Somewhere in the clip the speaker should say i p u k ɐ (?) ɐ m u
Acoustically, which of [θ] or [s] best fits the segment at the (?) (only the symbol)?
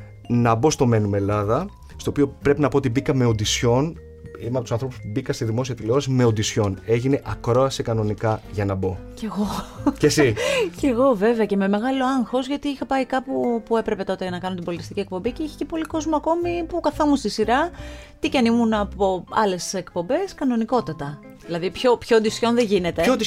θ